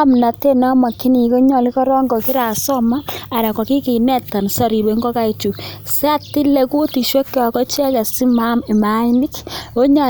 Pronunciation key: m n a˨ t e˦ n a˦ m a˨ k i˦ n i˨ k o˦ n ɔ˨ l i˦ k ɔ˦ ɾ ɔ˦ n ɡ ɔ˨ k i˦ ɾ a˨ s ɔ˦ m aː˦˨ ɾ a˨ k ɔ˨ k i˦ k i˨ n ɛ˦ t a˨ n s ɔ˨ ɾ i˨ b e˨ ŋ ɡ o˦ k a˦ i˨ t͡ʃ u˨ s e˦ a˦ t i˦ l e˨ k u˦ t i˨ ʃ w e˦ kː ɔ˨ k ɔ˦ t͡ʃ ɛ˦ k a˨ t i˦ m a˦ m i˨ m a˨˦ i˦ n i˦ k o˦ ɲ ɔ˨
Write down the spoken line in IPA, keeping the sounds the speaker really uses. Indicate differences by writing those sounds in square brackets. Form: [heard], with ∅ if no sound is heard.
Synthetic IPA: m n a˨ t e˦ n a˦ m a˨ k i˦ n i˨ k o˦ [ɲ] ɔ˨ l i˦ k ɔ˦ ɾ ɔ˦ [ŋ] ɡ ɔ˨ k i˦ ɾ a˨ s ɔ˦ m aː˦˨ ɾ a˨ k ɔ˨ k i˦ k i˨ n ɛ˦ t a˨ n s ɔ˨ ɾ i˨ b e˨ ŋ ɡ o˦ k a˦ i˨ t͡ʃ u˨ s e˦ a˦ t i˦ l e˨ k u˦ t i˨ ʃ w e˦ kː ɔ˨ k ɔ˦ t͡ʃ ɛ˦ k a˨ [s] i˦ m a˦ m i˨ m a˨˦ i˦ n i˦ k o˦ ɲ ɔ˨